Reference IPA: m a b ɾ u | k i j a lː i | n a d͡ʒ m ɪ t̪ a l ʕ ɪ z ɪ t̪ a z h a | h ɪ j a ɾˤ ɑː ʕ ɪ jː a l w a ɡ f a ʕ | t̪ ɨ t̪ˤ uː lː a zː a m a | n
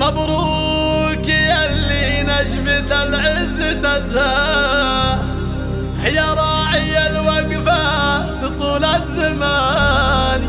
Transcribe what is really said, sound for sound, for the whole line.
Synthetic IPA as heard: m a b ɾ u | k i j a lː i | n a d͡ʒ m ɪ t̪ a l ʕ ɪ z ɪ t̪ a z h a | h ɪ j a ɾˤ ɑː ʕ ɪ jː a l w a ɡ f a | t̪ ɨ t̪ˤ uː l a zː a m a | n